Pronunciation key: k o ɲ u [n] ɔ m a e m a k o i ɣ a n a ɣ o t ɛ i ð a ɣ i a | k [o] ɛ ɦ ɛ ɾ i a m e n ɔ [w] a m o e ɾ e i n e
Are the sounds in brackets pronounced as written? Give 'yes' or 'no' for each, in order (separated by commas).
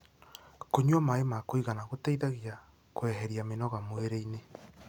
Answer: no, yes, no